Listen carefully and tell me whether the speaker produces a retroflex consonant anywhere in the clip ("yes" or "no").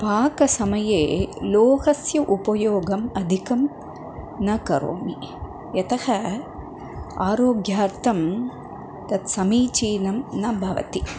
no